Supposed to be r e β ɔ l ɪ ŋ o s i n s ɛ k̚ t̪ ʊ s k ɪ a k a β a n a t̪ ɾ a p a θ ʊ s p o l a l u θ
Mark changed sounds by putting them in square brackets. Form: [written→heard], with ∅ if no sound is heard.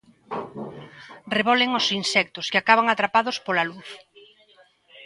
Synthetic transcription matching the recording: r e β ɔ l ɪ ŋ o s i n s ɛ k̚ t̪ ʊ s k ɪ a k a β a [n→ŋ] a t̪ ɾ a p a [θ→ð] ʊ s p o l a l u θ

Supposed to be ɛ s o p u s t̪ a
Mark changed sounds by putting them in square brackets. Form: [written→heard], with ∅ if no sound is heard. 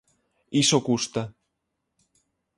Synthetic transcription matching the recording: [ɛ→i] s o [p→k] u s t̪ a

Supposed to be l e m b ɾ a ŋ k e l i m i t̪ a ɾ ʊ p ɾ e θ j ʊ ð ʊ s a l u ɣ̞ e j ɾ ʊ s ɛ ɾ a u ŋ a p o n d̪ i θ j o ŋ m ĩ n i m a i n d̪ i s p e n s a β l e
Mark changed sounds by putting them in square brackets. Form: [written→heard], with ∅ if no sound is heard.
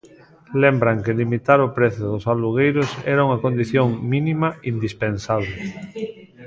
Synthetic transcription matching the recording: l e m b ɾ a ŋ k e l i m i t̪ a ɾ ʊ p ɾ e θ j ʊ ð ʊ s a l u ɣ̞ e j ɾ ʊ s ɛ ɾ a u ŋ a [p→k] o n d̪ i θ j o ŋ m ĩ n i m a i n d̪ i s p e n s a β l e

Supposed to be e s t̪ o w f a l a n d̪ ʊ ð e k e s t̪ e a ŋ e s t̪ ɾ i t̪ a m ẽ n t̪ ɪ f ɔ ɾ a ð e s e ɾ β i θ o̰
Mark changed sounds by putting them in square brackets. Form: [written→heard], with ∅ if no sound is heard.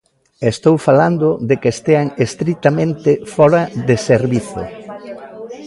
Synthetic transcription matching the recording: e s t̪ o w f a l a n d̪ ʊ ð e k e s t̪ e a ŋ e s t̪ ɾ i t̪ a m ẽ n t̪ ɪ f ɔ ɾ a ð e s e ɾ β i θ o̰

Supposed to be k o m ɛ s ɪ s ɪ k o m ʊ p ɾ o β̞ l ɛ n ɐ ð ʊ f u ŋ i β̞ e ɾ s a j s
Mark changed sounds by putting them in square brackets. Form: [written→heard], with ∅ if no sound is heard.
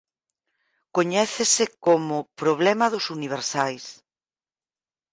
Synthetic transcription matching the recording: k o [m→ɲ] ɛ [s→θ] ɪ s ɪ k o m ʊ p ɾ o β̞ l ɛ [n→m] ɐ ð ʊ [f→s] u [ŋ→n] i β̞ e ɾ s a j s

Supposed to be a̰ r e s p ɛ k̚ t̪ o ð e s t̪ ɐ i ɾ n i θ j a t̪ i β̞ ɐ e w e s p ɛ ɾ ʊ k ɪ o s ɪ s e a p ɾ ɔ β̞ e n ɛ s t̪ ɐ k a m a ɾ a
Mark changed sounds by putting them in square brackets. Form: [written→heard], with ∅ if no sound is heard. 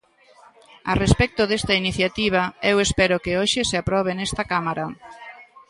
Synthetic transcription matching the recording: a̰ r e s p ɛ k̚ t̪ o ð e s t̪ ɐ i [ɾ→∅] n i θ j a t̪ i β̞ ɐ e w e s p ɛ ɾ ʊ k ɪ o [s→ʃ] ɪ s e a p ɾ ɔ β̞ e n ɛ s t̪ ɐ k a m a ɾ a

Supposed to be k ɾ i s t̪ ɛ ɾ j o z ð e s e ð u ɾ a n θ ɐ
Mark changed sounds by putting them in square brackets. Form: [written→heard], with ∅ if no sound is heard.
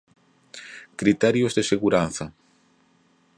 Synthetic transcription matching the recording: k ɾ i [s→∅] t̪ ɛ ɾ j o z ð e s e [ð→ɣ] u ɾ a n θ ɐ

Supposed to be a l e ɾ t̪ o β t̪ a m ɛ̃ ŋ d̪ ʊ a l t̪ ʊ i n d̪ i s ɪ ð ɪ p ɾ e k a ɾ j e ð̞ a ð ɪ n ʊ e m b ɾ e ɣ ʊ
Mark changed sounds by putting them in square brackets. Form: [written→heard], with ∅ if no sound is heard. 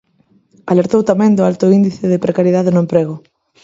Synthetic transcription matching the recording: a l e ɾ t̪ o [β→w] t̪ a m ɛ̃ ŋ d̪ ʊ a l t̪ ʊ i n d̪ i [s→θ] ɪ ð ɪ p ɾ e k a ɾ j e ð̞ a ð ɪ n ʊ e m [b→p] ɾ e ɣ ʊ

